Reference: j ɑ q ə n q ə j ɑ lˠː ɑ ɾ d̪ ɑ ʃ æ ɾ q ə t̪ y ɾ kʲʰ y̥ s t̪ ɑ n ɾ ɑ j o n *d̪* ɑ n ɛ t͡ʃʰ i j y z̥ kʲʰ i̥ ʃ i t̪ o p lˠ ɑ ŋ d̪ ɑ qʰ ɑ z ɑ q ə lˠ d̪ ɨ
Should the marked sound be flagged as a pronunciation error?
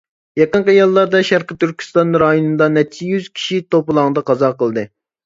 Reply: no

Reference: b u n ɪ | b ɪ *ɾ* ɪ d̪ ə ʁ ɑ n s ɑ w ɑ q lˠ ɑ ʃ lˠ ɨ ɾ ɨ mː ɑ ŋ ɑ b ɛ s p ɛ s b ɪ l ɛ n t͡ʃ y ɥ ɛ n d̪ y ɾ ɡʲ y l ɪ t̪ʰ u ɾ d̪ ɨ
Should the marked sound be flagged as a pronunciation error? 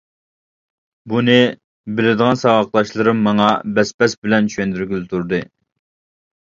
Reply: yes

